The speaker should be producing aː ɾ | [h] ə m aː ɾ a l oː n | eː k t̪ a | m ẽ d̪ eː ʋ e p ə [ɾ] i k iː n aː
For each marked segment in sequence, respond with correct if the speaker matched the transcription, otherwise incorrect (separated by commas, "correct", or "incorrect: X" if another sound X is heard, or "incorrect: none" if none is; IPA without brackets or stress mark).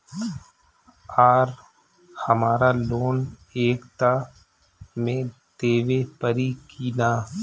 correct, correct